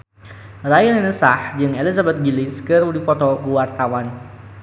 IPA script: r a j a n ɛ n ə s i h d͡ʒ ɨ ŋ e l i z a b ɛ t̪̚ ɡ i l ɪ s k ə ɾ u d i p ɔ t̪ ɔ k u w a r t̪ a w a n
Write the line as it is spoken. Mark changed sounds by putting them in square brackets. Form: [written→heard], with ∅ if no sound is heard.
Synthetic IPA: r a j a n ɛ n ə s [i→a] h d͡ʒ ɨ ŋ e l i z a b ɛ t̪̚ ɡ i l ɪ s k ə ɾ u d i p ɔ t̪ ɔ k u w a r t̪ a w a n